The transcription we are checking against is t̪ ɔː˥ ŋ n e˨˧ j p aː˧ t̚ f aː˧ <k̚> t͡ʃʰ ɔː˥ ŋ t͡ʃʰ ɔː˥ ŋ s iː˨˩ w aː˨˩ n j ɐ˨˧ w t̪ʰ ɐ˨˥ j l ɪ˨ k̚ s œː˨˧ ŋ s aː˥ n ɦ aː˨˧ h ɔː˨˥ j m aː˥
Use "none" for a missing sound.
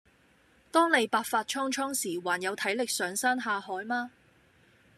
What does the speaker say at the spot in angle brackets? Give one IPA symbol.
t̚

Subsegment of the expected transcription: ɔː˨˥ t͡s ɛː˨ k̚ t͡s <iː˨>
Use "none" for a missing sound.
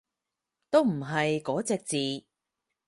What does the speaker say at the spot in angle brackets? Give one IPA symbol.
iː˨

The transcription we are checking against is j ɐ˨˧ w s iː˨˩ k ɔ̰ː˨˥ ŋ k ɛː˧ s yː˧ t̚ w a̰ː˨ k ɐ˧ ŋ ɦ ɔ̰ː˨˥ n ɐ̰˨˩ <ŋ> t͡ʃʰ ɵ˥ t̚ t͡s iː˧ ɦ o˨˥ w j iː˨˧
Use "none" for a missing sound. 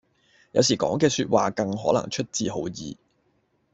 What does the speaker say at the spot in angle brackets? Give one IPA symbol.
ŋ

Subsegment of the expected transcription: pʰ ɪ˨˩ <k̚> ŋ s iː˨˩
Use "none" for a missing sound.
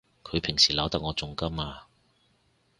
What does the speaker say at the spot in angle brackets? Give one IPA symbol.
none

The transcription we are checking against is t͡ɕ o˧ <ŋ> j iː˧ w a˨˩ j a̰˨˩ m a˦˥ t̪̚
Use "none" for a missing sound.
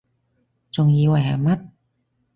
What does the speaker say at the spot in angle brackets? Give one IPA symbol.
ŋ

